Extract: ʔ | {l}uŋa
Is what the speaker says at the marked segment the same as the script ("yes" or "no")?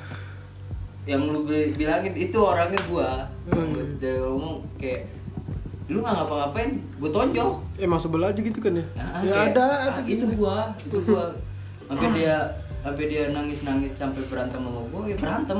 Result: yes